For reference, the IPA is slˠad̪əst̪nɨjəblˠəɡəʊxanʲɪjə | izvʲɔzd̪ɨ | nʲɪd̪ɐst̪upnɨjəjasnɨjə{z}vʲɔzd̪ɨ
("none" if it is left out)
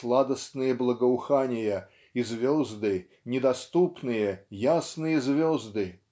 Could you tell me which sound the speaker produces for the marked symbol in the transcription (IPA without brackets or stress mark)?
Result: z